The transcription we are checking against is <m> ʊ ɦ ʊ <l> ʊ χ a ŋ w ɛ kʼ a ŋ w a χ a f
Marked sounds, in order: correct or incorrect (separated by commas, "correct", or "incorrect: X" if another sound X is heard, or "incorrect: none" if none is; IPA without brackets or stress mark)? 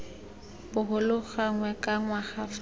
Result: incorrect: b, correct